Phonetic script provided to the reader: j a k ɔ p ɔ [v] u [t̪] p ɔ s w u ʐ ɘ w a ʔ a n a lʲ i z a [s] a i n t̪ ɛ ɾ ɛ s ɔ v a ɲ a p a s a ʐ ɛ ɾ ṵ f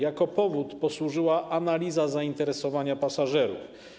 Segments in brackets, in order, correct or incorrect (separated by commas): correct, correct, incorrect